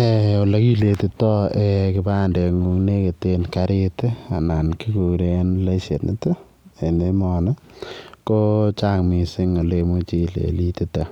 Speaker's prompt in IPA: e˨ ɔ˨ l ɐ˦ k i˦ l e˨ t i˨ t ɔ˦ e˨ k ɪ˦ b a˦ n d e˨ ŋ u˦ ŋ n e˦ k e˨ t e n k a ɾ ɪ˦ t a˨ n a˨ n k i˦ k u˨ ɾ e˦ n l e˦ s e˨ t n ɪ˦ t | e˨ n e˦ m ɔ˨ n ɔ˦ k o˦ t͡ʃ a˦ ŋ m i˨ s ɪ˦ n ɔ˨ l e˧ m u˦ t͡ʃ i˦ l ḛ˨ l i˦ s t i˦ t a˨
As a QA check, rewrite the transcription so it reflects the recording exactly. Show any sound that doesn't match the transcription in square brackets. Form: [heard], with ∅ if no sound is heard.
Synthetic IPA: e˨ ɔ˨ l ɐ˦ k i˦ l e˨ t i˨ t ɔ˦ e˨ k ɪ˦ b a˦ n d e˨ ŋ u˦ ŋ n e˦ k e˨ t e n k a ɾ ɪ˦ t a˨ n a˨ n k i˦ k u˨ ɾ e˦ n l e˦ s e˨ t n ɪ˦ t | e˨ n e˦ m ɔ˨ n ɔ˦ k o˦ t͡ʃ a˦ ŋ m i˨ s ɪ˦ [ŋ] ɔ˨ l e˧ m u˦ t͡ʃ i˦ l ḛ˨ l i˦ [∅] t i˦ t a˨